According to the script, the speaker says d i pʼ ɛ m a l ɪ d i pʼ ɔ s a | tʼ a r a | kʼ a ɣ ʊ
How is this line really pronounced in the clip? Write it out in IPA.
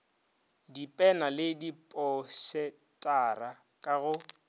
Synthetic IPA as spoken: d i pʼ ɛ n a l ɪ d i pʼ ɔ s ɛ | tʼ a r a | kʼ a ɣ ʊ